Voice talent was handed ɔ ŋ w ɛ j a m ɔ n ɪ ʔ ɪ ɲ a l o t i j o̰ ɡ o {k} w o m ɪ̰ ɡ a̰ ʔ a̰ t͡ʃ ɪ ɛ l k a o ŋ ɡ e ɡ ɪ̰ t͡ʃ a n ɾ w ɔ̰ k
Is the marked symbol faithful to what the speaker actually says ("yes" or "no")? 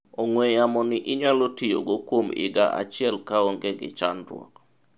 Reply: yes